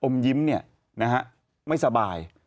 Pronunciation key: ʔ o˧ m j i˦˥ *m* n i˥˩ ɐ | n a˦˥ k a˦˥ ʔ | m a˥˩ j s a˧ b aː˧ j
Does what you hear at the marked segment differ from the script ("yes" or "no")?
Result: no